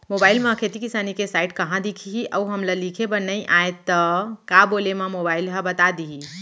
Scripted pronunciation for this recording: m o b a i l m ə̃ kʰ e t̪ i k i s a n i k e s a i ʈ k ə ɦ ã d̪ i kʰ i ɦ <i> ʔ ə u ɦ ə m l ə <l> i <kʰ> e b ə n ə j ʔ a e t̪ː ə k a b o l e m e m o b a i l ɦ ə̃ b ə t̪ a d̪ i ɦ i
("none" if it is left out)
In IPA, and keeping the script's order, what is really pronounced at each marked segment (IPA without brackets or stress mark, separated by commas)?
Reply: i, l, kʰ